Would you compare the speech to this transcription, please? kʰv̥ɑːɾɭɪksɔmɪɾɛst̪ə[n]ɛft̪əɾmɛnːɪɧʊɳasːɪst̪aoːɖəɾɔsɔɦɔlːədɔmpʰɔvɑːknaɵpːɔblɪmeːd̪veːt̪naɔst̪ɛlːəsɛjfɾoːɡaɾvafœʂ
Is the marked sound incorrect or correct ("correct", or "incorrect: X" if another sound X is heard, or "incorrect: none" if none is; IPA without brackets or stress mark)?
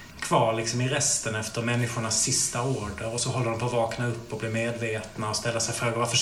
correct